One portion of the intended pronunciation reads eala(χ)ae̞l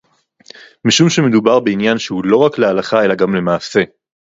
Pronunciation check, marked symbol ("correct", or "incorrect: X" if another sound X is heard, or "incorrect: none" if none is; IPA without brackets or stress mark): correct